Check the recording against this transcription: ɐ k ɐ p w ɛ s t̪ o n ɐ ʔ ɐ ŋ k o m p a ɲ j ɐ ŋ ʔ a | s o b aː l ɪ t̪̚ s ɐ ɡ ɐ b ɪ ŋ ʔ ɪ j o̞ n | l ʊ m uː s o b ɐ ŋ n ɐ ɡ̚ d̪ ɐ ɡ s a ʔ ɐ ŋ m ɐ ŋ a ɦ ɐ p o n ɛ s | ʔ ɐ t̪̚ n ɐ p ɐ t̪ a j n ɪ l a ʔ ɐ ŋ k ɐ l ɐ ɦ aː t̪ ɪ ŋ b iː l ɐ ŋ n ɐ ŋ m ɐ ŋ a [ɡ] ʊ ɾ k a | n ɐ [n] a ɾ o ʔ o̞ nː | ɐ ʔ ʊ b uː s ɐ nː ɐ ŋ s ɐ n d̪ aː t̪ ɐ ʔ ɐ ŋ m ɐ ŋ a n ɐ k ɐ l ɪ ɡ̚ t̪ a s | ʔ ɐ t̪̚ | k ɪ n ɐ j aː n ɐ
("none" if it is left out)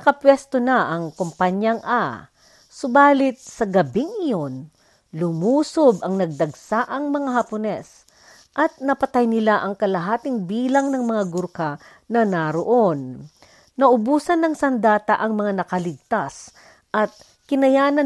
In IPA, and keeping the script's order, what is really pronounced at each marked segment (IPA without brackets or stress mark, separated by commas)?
ɡ, n